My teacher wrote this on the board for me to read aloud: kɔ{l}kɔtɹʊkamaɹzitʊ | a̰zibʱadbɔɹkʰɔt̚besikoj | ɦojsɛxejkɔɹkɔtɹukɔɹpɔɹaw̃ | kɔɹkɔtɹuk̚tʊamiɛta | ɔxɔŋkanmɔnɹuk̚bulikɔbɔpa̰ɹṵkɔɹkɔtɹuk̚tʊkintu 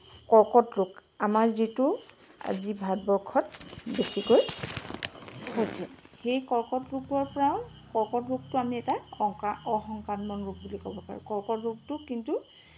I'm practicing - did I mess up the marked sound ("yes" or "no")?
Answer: yes